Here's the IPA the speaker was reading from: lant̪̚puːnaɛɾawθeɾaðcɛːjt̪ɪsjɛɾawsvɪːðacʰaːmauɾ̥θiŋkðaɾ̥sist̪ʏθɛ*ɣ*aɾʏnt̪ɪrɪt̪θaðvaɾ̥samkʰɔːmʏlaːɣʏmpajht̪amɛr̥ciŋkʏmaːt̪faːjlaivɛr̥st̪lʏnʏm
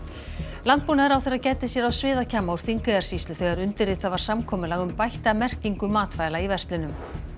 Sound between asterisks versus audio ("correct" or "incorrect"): correct